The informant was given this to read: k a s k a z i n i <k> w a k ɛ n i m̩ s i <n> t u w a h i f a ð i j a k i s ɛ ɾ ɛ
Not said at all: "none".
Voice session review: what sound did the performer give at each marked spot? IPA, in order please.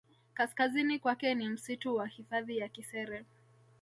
k, none

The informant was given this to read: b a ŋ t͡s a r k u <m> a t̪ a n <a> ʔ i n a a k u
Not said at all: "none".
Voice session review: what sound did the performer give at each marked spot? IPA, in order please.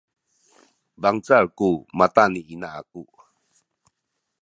m, i

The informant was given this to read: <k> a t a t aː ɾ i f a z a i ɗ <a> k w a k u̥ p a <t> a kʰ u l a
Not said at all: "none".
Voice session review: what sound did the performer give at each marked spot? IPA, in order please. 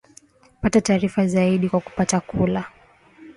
p, i, t

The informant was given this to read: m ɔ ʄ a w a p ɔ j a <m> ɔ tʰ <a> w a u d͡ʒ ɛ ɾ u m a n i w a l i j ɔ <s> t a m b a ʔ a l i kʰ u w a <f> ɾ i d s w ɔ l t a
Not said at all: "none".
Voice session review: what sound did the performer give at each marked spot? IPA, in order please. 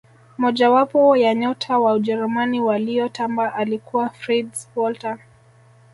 ɲ, a, none, f

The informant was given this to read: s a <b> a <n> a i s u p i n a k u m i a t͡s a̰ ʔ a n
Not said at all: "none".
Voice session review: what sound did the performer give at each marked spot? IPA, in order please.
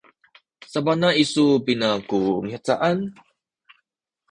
b, n

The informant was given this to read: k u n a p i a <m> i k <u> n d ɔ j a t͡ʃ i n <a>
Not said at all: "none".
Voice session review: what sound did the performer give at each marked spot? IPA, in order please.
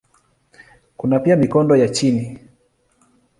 m, ɔ, i

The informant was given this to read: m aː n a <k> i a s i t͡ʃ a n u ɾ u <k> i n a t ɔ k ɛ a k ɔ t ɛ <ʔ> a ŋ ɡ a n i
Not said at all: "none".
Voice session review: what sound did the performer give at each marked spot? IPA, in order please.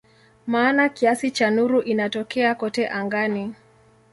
k, ʔ, ʔ

